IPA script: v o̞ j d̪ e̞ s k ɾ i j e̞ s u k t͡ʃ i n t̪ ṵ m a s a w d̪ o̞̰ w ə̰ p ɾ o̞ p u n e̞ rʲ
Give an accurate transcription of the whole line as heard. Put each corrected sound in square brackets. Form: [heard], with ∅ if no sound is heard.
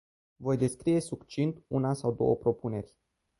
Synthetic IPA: v o̞ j d̪ e̞ s k ɾ i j e̞ s u k t͡ʃ i n t̪ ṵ [n] a s a w d̪ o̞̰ w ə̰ p ɾ o̞ p u n e̞ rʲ

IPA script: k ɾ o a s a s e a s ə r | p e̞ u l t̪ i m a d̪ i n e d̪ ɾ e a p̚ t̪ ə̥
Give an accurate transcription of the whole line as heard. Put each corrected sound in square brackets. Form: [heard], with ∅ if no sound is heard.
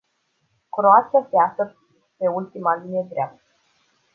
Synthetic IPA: k ɾ o a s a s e a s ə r | p e̞ u l t̪ i m a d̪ i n e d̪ ɾ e a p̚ t̪ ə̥

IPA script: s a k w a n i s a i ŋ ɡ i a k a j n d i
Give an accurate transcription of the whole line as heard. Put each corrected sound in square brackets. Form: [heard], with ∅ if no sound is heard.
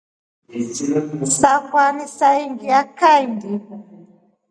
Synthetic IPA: s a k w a n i s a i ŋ ɡ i a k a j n d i

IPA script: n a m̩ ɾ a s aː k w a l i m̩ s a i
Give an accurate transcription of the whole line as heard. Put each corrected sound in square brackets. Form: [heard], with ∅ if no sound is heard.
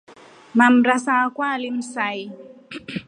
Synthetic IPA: [m] a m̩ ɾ a s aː k w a l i m̩ s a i

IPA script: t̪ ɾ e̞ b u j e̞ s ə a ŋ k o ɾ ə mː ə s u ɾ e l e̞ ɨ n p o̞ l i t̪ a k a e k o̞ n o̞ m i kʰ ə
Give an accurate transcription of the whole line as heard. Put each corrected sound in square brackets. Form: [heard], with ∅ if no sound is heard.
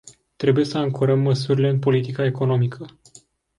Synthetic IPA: t̪ ɾ e̞ b u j e̞ s ə a ŋ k o ɾ ə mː ə s u ɾ [i] l e̞ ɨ n p o̞ l i t̪ [i] k a e k o̞ n o̞ m i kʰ ə

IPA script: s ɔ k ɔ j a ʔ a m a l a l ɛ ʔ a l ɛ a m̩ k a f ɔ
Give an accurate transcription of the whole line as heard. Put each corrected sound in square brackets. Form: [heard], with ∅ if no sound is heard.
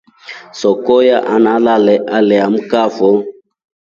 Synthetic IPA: s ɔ k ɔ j a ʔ a [n] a l a l ɛ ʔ a l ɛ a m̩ k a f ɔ

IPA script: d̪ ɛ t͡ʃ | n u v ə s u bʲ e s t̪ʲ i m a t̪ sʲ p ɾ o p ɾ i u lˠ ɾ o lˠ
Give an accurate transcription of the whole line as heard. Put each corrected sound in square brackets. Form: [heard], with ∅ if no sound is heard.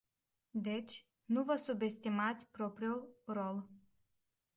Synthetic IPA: d̪ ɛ t͡ʃ | n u v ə s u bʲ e s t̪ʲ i m a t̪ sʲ p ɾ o p ɾ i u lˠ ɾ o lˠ

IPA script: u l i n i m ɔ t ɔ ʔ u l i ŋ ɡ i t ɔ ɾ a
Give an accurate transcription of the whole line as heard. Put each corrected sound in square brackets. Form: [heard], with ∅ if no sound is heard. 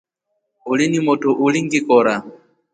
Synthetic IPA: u l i n i m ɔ t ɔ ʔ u l i ŋ ɡ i [k] ɔ ɾ a

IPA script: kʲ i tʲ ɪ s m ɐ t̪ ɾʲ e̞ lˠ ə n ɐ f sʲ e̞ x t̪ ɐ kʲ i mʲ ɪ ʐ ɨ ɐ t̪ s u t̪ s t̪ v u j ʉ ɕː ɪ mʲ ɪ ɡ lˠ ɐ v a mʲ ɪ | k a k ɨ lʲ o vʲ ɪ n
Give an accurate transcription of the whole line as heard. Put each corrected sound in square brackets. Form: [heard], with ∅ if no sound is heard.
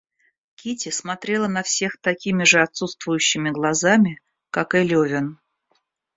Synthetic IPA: kʲ i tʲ ɪ s m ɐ t̪ ɾʲ e̞ lˠ ə n ɐ f sʲ e̞ x t̪ ɐ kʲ i mʲ ɪ ʐ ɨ ɐ t̪ s u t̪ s t̪ v [ʊ] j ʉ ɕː ɪ mʲ ɪ ɡ lˠ ɐ [z] a mʲ ɪ | k a k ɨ lʲ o vʲ ɪ n

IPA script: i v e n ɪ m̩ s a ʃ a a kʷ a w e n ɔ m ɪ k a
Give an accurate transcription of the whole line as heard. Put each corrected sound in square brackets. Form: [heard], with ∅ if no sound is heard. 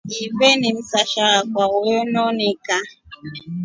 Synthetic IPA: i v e n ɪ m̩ s a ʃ a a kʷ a w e n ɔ [n] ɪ k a

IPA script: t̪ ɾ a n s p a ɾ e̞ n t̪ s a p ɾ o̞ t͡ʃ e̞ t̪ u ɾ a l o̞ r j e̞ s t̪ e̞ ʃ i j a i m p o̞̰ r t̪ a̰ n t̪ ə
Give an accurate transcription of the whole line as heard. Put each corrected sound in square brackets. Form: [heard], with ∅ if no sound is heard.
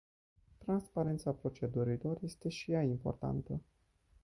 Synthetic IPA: t̪ ɾ a n s p a ɾ e̞ n t̪ s a p ɾ o̞ t͡ʃ e̞ [d̪] u ɾ [i] l o̞ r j e̞ s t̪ e̞ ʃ i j a i m p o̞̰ r t̪ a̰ n t̪ ə

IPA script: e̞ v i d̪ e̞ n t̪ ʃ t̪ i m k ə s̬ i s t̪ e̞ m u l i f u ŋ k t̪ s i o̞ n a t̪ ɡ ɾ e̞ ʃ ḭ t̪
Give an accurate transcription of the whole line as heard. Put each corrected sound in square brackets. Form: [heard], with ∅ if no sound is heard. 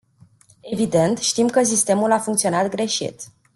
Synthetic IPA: e̞ v i d̪ e̞ n t̪ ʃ t̪ i m k ə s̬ i s t̪ e̞ m u l [a] f u ŋ k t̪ s i o̞ n a t̪ ɡ ɾ e̞ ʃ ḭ t̪

